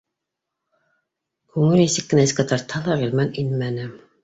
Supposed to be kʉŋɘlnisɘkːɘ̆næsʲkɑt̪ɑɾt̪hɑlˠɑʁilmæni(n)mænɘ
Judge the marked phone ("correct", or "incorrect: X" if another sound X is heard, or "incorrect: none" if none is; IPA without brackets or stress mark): correct